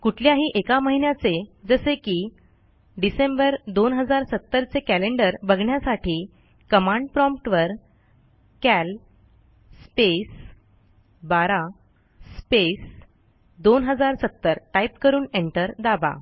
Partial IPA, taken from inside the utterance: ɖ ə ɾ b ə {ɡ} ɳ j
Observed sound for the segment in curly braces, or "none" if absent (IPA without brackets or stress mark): ɡ